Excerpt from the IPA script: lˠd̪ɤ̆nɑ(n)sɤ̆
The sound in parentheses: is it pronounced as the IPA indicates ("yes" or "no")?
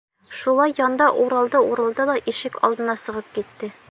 no